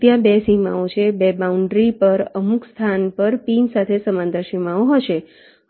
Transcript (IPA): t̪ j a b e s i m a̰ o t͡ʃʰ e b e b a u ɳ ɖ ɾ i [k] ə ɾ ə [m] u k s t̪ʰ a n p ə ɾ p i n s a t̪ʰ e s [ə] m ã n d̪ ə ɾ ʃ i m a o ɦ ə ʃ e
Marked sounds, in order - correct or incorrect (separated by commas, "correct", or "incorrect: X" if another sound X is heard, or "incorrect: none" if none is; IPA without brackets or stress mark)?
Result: incorrect: p, correct, correct